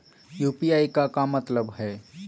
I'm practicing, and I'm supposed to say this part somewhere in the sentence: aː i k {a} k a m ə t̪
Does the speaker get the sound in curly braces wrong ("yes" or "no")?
no